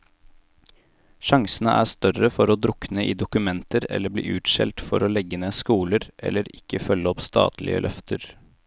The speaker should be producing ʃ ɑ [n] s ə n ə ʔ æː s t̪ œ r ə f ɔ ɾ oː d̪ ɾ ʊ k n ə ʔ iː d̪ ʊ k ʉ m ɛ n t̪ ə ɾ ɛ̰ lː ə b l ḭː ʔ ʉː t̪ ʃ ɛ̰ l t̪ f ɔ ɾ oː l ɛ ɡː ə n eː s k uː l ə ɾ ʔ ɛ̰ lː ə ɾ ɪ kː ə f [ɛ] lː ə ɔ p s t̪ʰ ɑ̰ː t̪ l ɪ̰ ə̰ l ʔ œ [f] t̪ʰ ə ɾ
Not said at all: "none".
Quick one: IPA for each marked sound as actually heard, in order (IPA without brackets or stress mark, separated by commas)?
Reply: ŋ, œ, f